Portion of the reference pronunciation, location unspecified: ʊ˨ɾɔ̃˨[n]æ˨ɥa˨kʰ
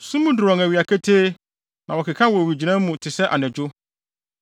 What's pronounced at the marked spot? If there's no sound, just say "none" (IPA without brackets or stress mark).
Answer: ŋ